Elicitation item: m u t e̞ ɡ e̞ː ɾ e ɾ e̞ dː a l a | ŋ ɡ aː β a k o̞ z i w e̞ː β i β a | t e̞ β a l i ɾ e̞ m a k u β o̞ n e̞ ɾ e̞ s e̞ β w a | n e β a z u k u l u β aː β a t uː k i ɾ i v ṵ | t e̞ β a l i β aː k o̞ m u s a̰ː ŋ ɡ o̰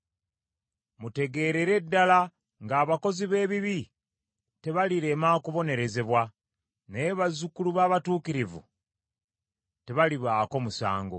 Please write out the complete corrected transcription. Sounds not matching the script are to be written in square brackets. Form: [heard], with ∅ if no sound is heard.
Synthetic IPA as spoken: m u t e̞ ɡ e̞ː ɾ e ɾ e̞ dː a l a | ŋ ɡ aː β a k o̞ z i [β] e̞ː β i β [i] | t e̞ β a l i ɾ e̞ m a k u β o̞ n e̞ ɾ e̞ [z] e̞ β w a | n e β a z u k u l u β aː β a t uː k i ɾ i v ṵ | t e̞ β a l i β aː k o̞ m u s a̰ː ŋ ɡ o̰